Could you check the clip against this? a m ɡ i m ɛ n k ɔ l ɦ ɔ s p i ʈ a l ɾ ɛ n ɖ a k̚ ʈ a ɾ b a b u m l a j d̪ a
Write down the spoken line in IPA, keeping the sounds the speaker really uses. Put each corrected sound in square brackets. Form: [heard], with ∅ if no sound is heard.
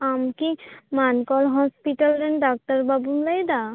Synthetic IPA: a m [k] i m [a] n k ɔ l ɦ ɔ s p i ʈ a l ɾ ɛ n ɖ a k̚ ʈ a ɾ b a b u m l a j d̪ a